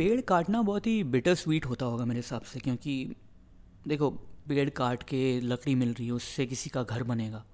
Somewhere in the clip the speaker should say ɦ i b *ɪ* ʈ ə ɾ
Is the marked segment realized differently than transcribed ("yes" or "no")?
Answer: no